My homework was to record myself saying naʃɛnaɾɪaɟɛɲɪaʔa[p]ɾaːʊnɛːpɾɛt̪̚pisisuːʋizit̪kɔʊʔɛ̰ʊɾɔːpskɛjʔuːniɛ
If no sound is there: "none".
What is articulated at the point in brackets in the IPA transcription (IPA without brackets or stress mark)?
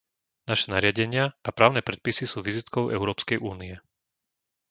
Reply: p